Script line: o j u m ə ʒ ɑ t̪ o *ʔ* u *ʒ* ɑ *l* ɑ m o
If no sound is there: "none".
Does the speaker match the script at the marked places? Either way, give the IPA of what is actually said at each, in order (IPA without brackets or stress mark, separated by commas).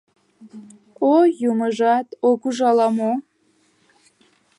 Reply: k, ʒ, l